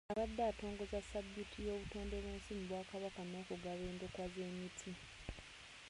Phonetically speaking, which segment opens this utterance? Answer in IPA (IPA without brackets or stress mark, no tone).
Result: a